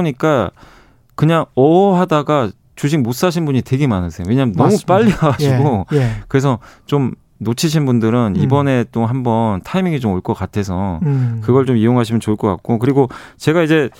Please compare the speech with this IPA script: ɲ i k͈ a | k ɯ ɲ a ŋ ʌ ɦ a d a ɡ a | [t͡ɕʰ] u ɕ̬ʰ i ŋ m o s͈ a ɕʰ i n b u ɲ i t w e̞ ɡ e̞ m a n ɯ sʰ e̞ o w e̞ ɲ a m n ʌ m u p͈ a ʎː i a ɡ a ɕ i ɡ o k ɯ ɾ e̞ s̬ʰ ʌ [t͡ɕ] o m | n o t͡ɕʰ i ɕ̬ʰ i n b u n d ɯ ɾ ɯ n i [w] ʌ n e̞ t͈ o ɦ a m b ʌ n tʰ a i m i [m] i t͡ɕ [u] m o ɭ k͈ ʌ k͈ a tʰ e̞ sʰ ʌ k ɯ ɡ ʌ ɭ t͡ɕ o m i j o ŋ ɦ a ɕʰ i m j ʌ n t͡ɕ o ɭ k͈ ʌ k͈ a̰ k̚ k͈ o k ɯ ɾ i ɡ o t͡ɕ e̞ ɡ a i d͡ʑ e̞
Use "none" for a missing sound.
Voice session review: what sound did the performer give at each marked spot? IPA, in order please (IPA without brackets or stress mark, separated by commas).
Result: t͡ɕ, t͡ɕ, b, ŋ, o